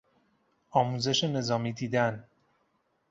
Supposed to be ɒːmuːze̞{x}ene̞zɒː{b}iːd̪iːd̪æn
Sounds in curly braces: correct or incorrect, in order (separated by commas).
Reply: incorrect, incorrect